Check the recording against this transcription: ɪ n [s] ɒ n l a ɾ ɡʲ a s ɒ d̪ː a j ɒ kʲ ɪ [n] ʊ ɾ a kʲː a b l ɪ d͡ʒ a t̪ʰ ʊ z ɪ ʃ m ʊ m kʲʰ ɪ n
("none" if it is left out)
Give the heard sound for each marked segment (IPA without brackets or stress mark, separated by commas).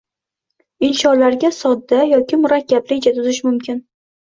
ʃ, m